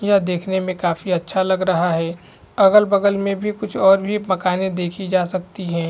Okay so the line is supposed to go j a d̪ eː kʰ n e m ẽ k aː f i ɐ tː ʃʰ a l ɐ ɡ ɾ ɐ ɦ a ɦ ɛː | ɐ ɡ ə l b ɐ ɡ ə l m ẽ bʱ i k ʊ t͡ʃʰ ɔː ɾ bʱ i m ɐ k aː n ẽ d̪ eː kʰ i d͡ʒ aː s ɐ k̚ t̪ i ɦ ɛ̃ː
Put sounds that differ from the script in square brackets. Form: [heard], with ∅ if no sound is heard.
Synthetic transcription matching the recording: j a d̪ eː kʰ n e m ẽ k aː f i ɐ tː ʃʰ a l ɐ ɡ ɾ ɐ ɦ a ɦ ɛː | ɐ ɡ ə l b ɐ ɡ ə l m ẽ bʱ i k ʊ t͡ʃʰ ɔː ɾ bʱ i m ɐ k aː n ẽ d̪ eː kʰ i d͡ʒ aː s ɐ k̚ t̪ i ɦ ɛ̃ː